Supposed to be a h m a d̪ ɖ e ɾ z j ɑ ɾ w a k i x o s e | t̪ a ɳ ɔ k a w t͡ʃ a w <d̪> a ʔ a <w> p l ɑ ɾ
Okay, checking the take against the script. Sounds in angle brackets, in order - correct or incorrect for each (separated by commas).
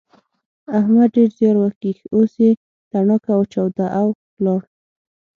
correct, correct